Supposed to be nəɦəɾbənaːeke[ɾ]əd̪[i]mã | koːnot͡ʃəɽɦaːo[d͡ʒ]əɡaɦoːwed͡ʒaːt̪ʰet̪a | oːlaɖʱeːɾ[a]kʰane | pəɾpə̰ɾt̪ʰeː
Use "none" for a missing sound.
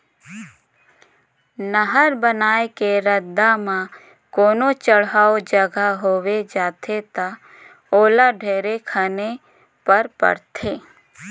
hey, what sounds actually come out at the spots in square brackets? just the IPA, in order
ɾ, a, d͡ʒ, e

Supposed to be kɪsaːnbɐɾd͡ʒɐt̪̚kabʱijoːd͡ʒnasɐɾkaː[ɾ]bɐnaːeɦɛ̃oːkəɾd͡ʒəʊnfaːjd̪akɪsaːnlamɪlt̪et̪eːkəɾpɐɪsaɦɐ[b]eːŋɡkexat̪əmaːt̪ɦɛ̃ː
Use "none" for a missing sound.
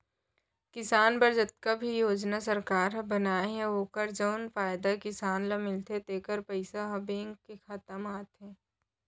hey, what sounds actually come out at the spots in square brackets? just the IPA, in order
ɾ, b

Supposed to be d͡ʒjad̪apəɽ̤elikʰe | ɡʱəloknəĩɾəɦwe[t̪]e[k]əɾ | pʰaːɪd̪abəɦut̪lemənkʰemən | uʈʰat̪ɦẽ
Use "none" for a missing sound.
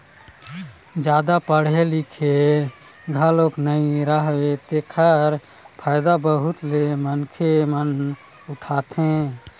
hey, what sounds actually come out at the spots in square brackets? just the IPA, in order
t̪, kʰ

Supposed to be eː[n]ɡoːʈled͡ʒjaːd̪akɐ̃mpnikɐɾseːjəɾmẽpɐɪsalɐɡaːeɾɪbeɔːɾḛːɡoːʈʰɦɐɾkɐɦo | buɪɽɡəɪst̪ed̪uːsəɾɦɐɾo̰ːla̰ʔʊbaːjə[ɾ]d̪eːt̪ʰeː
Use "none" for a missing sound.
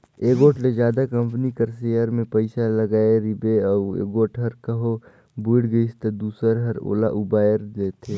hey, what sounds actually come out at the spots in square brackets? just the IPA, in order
none, ɾ

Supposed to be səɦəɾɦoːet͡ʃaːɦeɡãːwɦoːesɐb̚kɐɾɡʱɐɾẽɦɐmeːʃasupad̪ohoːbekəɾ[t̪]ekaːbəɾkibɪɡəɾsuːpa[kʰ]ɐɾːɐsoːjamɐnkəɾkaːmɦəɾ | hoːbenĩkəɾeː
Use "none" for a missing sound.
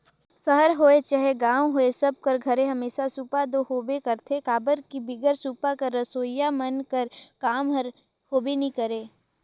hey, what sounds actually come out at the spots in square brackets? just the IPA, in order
t̪ʰ, k

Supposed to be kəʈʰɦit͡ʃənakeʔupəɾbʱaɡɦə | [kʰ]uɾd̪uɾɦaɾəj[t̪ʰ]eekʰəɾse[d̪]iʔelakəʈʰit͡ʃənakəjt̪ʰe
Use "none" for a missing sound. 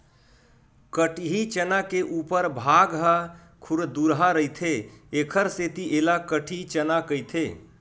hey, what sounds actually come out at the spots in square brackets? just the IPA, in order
kʰ, t̪ʰ, t̪

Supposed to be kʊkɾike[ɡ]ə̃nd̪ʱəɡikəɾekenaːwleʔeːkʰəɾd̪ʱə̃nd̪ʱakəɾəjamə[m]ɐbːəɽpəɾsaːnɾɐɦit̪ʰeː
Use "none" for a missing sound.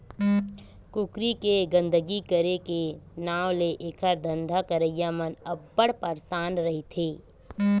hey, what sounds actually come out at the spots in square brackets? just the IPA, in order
ɡ, n

